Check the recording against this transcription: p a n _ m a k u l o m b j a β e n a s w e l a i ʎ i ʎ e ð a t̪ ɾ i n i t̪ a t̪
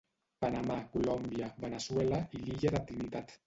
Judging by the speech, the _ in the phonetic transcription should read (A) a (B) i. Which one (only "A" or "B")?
A